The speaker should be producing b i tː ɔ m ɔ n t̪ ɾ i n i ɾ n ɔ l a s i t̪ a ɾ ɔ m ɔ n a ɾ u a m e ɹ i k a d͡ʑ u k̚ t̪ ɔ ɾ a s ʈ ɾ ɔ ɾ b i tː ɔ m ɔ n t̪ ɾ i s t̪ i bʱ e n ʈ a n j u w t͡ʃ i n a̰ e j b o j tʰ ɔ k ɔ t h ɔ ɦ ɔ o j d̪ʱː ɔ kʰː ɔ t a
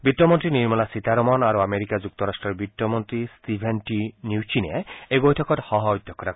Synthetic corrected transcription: b i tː ɔ m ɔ n t̪ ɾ i n i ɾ m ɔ l a s i t̪ a ɾ ɔ m ɔ n a ɾ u a m e ɾ i k a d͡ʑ u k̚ t̪ ɔ ɾ a s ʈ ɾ ɔ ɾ b i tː ɔ m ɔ n t̪ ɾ i s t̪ i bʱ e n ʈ i n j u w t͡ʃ i n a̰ e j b o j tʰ ɔ k ɔ t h ɔ ɦ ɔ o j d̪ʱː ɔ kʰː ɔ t a